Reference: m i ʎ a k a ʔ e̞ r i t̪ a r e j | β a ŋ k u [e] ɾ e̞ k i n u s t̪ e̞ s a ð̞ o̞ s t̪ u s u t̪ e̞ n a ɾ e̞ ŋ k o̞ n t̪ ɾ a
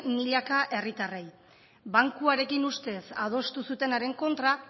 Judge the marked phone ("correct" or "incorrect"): incorrect